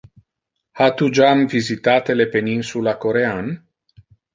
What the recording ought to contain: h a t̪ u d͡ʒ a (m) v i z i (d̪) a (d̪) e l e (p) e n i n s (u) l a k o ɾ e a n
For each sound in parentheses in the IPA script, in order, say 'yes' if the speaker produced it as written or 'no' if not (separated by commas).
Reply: yes, no, no, yes, yes